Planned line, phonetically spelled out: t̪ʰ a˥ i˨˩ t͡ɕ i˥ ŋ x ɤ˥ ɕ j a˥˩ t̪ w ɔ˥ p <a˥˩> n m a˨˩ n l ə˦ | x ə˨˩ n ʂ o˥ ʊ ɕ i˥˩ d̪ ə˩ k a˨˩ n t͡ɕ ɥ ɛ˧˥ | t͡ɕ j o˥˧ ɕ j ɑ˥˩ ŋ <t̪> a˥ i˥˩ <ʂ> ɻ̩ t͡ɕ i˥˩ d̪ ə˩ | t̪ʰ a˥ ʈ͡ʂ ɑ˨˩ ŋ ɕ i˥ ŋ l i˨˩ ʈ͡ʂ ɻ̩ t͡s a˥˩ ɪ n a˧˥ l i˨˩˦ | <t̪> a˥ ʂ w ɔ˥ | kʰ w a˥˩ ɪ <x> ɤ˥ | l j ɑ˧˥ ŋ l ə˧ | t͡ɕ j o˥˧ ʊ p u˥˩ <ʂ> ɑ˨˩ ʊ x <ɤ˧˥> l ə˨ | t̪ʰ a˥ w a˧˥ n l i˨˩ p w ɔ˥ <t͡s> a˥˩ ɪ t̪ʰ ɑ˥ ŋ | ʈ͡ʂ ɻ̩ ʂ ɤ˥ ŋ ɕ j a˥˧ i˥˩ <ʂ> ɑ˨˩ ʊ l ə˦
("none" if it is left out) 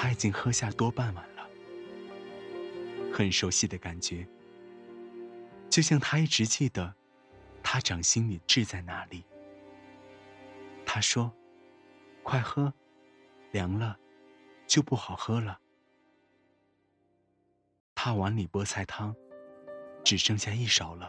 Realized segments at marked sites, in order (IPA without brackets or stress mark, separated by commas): a˥˩, t̪ʰ, ʈ͡ʂ, t̪ʰ, x, x, ɤ˥, t͡sʰ, ʂ